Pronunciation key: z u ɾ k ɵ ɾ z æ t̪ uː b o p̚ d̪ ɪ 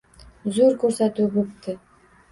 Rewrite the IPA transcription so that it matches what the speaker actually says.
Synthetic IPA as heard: z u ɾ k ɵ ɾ s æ t̪ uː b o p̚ t̪ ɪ